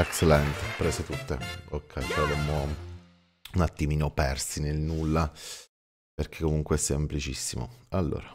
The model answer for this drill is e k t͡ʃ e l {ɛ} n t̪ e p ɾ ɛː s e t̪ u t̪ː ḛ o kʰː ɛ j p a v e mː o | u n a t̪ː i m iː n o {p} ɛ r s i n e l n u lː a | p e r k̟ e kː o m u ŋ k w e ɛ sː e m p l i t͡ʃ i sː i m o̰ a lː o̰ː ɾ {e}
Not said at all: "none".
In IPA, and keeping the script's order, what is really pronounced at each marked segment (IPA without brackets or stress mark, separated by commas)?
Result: ɛ, p, a